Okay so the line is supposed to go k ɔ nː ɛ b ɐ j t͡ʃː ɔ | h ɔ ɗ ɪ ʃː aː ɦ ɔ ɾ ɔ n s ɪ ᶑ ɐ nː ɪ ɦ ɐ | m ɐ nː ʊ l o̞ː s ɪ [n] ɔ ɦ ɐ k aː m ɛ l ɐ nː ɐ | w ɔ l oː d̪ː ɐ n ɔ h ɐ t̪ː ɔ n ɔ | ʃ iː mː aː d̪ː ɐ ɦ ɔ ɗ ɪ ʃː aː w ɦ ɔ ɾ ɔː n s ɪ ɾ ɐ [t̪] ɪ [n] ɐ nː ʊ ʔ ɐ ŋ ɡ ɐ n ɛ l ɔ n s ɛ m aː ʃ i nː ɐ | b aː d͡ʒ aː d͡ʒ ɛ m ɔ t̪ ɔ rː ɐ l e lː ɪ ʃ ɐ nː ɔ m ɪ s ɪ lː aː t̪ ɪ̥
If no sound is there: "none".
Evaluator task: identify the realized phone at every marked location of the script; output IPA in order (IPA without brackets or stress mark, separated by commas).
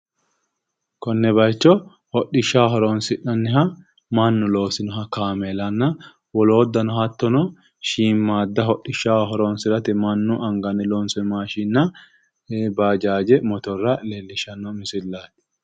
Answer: n, t̪, m